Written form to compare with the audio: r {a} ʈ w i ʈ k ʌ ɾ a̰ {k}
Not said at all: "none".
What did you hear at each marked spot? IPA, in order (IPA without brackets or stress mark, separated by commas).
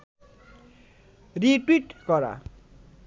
i, none